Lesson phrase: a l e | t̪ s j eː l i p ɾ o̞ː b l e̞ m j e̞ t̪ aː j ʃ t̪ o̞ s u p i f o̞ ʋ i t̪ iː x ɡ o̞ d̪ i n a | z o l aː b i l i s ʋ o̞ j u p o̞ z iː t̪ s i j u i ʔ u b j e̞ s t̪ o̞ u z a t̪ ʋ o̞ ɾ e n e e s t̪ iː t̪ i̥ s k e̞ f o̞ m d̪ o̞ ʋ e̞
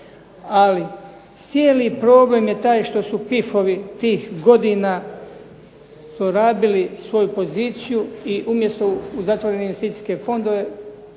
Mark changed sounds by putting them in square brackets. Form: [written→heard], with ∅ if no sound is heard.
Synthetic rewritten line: a l [e→i] | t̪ s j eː l i p ɾ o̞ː b l e̞ m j e̞ t̪ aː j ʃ t̪ o̞ s u p i f o̞ ʋ i t̪ iː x ɡ o̞ d̪ i n a | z o [l→ɾ] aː b i l i s ʋ o̞ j u p o̞ z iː t̪ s i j u i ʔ u [b→m] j e̞ s t̪ o̞ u z a t̪ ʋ o̞ ɾ e n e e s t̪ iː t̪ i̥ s k e̞ f o̞ [m→n] d̪ o̞ ʋ e̞